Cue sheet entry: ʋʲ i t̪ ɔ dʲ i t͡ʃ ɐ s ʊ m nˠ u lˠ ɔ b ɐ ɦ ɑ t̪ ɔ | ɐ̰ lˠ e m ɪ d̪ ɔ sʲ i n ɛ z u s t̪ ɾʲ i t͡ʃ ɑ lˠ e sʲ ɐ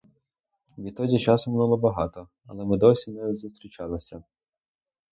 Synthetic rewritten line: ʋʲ i t̪ ɔ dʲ i t͡ʃ ɑ s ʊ m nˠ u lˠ ɔ b ɐ ɦ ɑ t̪ ɔ | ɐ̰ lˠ ɛ m ɪ d̪ ɔ sʲ i n ɛ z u s t̪ ɾʲ i t͡ʃ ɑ lˠ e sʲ ɐ